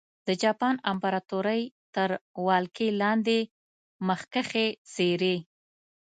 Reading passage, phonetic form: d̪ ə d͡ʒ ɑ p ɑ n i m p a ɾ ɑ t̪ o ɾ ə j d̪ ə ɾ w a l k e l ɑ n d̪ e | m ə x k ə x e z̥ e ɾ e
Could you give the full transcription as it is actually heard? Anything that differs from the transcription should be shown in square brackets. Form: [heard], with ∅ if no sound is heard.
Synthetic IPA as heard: d̪ ə d͡ʒ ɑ p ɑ n [a] m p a ɾ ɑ t̪ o ɾ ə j [t̪] ə ɾ w [ɑ] l k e l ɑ n d̪ e | m ə x k ə x e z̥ e ɾ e